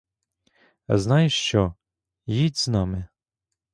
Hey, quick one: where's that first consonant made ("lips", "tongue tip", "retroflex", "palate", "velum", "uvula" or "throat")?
tongue tip